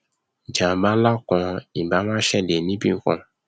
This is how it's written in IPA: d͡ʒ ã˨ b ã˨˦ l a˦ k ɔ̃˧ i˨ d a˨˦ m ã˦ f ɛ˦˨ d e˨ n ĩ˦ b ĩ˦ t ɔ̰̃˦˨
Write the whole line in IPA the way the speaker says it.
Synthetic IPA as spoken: d͡ʒ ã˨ b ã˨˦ l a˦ k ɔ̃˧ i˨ b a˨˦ m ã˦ ʃ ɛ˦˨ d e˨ n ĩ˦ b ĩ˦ k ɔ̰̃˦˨